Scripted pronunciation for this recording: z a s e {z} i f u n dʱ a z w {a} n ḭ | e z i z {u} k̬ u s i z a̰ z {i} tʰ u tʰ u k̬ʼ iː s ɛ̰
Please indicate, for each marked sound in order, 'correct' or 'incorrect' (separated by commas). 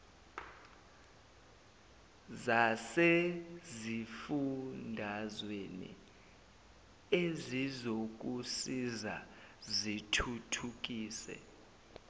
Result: correct, incorrect, incorrect, correct